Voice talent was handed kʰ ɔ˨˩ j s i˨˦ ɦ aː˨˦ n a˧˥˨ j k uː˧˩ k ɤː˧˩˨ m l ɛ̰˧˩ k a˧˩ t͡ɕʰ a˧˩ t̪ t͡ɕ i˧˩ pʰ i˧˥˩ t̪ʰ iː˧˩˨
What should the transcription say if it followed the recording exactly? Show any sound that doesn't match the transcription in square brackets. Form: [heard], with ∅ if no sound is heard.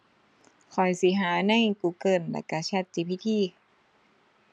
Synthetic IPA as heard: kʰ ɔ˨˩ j s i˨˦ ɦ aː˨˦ n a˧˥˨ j k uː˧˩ k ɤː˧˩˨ [n] l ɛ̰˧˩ k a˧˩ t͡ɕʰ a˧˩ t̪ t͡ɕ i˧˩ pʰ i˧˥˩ t̪ʰ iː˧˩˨